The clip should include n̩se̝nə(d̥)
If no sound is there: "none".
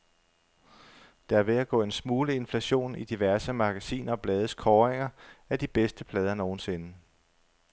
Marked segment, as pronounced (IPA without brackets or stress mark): none